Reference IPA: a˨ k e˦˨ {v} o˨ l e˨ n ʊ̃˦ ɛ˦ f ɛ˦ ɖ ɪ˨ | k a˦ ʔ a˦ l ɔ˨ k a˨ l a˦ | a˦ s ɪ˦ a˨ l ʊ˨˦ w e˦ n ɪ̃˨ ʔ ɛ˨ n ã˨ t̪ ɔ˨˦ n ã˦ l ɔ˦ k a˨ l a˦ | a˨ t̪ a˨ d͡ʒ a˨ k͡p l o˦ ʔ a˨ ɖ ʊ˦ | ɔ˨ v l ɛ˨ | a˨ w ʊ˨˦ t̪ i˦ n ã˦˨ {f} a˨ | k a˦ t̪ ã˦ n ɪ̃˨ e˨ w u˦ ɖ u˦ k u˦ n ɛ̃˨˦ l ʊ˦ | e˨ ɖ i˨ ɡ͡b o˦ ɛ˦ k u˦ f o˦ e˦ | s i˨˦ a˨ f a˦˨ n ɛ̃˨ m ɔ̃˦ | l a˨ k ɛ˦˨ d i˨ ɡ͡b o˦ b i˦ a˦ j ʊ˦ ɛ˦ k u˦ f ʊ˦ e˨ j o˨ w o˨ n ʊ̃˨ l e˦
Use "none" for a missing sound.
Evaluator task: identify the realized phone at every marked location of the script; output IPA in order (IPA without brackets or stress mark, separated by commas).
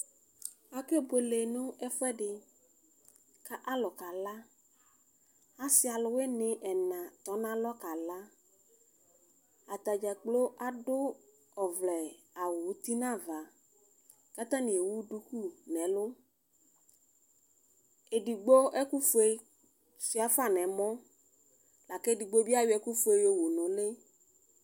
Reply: b, v